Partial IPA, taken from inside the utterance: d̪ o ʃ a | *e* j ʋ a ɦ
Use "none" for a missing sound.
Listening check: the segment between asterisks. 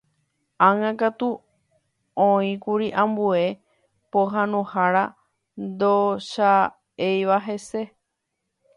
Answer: e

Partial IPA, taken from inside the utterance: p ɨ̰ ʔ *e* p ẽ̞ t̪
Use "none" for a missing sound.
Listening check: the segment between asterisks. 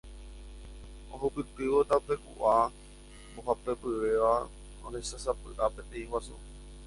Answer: a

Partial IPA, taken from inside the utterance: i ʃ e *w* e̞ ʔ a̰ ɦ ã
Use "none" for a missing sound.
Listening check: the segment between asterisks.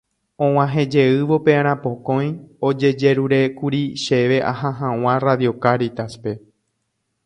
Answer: ʋ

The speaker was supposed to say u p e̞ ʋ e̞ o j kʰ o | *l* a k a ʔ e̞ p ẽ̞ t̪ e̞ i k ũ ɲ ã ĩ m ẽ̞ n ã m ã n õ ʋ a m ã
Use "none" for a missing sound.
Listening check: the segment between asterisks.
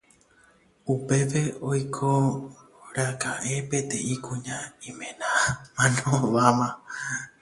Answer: ɾ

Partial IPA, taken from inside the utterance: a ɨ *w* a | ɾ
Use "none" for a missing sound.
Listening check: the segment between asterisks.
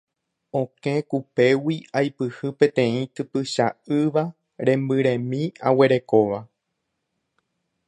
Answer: ʋ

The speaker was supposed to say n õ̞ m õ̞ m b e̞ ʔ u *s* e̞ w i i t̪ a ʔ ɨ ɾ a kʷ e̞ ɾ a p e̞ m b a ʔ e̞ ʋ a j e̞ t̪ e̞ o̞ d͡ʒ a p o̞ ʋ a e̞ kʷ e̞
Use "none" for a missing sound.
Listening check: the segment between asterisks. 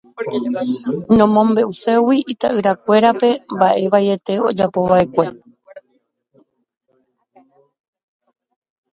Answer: s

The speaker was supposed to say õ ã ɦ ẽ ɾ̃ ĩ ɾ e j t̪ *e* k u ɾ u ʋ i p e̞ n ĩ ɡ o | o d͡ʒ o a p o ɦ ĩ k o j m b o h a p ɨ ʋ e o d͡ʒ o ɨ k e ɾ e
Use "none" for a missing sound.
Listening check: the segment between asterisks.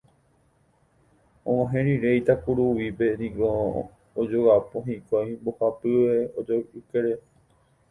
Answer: a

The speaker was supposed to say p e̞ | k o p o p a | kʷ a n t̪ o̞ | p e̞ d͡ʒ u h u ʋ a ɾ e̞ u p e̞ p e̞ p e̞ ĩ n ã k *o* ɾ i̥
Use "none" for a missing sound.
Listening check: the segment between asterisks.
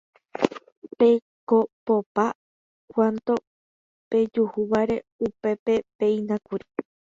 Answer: u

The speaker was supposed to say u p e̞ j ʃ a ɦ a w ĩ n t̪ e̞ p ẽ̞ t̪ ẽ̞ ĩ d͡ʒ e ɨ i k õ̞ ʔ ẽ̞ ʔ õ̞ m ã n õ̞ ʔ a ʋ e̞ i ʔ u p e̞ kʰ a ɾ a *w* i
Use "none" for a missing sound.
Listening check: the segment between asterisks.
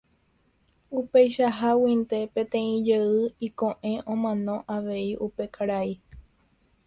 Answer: none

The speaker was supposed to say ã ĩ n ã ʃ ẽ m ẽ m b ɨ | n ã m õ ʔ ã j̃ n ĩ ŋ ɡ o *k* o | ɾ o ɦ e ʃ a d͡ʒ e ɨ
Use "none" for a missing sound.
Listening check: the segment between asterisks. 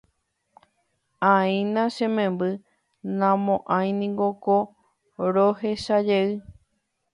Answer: k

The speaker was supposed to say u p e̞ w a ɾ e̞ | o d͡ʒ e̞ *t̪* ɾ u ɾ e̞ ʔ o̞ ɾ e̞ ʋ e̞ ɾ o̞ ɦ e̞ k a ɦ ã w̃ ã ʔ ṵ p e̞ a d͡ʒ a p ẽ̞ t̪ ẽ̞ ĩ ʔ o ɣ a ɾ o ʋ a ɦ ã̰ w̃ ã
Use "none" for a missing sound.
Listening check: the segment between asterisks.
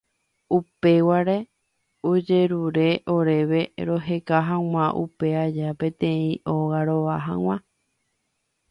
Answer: none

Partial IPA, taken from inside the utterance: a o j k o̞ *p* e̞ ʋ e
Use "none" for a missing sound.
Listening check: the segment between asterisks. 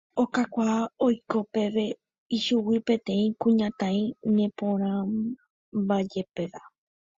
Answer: p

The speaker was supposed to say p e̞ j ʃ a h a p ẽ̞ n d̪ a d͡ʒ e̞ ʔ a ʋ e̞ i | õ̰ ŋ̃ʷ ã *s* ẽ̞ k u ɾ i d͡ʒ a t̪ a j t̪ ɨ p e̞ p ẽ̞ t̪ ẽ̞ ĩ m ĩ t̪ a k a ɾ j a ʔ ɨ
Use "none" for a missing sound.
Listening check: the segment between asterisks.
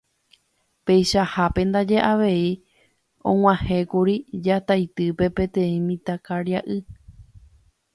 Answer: h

